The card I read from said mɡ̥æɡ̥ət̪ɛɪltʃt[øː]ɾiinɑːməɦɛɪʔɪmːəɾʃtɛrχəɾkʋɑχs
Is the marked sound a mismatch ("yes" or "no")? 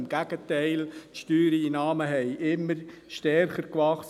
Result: yes